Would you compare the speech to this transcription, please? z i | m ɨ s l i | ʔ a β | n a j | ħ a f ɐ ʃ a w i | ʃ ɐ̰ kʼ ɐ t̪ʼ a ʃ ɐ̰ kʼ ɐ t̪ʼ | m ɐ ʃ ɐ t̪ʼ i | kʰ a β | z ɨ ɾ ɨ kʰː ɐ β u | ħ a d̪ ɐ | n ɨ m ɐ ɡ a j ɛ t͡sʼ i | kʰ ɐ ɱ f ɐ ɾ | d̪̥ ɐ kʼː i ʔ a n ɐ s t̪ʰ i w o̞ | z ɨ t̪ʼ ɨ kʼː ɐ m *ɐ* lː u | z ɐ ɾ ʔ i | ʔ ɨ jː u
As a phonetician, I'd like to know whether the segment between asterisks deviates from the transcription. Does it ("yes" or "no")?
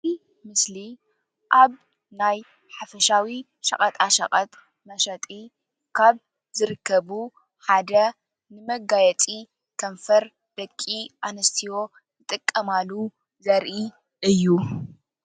yes